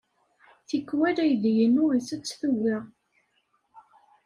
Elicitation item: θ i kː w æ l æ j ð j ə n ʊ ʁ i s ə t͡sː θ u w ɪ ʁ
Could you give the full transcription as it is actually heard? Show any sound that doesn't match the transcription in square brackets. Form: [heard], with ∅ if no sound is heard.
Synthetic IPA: θ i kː w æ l æ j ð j ə n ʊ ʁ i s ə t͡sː θ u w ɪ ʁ